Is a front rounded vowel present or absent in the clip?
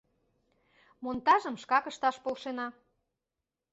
absent